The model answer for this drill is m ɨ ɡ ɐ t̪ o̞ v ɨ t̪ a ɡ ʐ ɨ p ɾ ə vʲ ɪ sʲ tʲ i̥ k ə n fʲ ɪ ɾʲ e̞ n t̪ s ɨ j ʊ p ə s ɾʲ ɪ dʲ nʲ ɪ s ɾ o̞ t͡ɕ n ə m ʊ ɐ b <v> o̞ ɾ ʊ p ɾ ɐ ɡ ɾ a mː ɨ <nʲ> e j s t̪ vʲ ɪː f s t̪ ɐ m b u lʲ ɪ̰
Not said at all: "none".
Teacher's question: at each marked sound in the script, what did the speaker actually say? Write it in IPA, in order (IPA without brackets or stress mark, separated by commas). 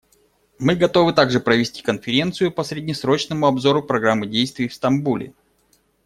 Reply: z, dʲ